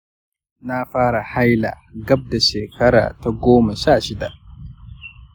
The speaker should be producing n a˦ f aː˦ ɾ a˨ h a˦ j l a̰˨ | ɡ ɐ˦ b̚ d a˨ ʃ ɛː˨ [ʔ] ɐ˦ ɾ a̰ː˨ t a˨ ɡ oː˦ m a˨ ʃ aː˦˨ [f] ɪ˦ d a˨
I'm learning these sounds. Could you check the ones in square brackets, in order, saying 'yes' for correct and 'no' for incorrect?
no, no

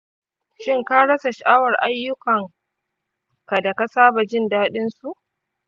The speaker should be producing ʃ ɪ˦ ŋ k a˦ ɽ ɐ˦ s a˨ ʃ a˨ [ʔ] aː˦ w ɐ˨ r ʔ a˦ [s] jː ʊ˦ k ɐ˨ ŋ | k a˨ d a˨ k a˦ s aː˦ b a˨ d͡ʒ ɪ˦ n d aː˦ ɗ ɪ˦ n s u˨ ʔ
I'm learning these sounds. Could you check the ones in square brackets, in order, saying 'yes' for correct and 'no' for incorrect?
yes, no

